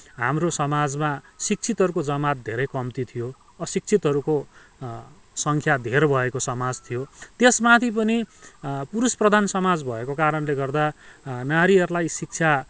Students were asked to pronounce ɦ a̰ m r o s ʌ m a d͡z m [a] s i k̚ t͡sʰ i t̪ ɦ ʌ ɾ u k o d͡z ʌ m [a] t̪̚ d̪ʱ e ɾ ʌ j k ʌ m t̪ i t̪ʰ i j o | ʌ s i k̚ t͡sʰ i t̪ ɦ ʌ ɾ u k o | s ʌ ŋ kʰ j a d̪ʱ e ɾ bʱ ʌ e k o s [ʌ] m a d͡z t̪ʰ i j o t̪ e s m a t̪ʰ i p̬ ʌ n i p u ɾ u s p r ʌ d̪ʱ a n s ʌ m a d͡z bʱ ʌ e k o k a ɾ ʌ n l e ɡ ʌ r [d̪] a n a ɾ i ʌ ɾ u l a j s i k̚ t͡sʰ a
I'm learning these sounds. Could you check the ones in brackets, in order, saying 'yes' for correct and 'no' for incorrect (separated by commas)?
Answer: yes, yes, yes, yes